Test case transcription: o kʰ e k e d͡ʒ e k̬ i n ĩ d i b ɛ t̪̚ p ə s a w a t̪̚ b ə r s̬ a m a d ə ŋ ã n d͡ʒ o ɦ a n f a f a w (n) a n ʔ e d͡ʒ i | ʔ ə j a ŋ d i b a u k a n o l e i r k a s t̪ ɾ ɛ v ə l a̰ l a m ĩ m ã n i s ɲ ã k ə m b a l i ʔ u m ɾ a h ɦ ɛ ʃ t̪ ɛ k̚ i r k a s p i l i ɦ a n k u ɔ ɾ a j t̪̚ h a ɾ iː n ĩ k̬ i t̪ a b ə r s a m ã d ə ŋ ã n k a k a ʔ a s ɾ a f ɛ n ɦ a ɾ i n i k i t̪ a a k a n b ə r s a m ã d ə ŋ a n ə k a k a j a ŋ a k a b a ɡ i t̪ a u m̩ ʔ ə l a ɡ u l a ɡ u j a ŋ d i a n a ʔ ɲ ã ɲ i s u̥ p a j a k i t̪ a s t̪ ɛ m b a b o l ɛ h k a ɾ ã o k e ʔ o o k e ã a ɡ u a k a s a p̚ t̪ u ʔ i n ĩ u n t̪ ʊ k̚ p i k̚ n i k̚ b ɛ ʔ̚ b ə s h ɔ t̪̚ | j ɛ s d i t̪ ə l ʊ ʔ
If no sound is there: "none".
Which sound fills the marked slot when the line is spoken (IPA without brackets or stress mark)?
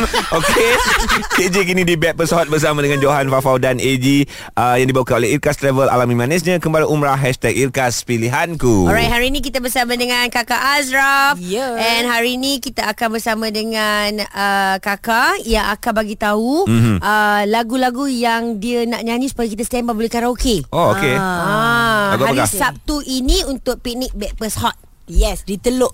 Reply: d